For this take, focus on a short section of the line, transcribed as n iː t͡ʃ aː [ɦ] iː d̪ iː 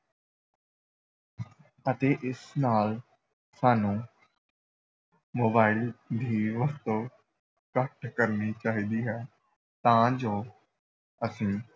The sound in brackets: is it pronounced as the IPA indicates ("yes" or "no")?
yes